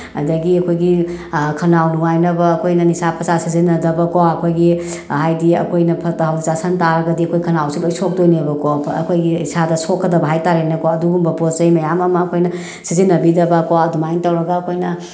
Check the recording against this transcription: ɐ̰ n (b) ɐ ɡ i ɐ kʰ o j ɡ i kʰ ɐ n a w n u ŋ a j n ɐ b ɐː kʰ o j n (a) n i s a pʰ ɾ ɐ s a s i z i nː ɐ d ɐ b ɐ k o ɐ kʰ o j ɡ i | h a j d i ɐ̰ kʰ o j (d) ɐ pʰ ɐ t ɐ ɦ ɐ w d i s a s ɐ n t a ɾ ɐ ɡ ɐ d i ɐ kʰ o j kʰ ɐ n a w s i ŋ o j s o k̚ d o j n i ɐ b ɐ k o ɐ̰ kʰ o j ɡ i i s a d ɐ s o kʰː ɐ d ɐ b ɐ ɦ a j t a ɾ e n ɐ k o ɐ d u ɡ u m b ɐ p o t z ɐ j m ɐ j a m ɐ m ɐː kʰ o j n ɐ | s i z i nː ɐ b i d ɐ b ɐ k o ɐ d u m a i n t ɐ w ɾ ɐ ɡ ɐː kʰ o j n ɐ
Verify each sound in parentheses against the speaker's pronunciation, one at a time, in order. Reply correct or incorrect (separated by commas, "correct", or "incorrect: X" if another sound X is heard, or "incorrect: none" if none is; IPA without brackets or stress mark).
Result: incorrect: d, incorrect: ɐ, incorrect: n